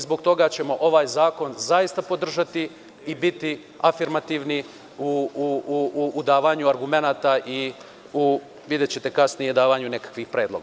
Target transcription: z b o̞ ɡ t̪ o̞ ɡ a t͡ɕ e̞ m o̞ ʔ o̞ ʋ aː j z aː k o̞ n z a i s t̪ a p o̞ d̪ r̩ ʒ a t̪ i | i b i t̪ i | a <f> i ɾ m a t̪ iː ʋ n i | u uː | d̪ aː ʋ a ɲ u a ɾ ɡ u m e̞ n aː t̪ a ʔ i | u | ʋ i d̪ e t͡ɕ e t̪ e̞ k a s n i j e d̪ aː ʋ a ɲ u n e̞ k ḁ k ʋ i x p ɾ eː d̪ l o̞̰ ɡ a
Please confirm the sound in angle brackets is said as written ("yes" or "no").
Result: yes